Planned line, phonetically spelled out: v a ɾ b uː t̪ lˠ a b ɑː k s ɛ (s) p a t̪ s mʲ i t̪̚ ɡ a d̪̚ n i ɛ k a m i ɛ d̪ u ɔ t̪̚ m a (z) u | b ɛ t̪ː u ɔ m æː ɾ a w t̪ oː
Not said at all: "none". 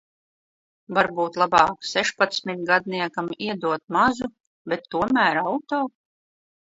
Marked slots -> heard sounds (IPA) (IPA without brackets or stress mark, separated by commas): ʃ, z